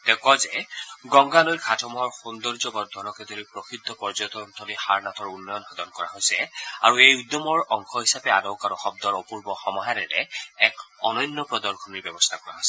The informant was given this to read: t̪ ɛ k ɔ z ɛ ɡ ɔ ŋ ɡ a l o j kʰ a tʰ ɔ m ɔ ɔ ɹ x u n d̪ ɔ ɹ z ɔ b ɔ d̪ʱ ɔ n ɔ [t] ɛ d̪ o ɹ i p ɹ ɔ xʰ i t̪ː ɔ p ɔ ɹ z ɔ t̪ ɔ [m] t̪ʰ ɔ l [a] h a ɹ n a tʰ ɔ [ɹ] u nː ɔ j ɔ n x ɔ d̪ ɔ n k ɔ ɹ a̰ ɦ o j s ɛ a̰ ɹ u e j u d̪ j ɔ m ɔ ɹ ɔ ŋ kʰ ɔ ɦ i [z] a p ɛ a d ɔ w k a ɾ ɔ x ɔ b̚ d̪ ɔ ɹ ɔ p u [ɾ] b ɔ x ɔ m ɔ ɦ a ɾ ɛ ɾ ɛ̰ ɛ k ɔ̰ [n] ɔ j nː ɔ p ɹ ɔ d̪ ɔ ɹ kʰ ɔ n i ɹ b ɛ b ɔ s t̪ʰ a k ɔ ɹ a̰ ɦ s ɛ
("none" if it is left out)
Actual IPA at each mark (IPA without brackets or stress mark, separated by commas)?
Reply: k, n, i, ɹ, s, ɹ, n